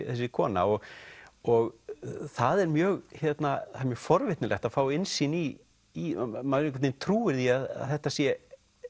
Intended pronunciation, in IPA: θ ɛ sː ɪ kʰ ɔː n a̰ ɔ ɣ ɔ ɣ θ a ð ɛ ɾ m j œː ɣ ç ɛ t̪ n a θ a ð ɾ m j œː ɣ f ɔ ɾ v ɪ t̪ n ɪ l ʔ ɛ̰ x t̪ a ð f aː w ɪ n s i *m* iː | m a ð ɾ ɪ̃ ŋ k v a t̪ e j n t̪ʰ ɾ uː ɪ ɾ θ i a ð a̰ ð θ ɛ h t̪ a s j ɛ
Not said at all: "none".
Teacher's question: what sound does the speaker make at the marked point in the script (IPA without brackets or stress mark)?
n